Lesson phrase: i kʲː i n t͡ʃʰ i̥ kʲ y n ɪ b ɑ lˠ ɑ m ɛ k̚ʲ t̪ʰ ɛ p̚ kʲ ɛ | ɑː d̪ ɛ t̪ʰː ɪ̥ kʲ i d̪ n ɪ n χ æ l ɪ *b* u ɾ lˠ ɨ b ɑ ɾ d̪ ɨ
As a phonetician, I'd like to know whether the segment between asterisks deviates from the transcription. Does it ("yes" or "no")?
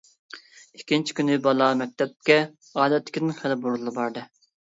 no